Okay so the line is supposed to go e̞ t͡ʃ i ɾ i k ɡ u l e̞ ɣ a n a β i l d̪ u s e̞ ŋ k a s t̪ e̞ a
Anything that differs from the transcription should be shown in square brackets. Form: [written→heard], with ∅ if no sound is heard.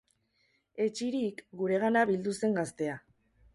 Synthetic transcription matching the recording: e̞ t͡ʃ i ɾ i k ɡ u [l→ɾ] e̞ ɣ a n a β i l d̪ u s e̞ ŋ [k→ɡ] a s t̪ e̞ a